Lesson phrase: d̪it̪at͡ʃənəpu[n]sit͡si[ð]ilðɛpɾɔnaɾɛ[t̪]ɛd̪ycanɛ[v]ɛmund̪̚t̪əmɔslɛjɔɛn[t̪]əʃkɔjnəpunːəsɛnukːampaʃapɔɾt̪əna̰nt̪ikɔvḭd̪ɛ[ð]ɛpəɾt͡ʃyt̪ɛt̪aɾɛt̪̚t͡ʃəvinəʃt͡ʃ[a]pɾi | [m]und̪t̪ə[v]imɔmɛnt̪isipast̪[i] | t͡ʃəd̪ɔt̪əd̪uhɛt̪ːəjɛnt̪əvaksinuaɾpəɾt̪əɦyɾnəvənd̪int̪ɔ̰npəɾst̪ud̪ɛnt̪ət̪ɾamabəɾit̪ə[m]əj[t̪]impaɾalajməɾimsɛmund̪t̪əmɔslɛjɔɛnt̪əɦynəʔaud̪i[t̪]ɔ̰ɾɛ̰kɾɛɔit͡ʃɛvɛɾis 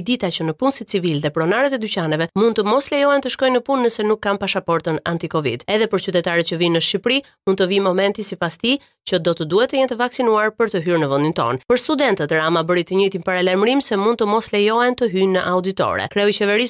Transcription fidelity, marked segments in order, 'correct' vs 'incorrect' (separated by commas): correct, incorrect, correct, correct, correct, correct, incorrect, correct, correct, correct, incorrect, correct, correct